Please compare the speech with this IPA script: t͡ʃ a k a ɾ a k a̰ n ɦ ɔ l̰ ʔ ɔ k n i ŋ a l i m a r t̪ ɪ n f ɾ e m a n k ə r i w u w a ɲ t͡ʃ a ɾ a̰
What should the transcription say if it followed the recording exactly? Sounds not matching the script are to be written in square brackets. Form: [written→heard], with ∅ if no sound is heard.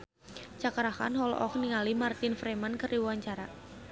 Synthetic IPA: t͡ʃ a k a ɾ a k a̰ n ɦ ɔ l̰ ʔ ɔ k n i ŋ a l i m a r t̪ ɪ n f ɾ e m a n k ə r i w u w a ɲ t͡ʃ a ɾ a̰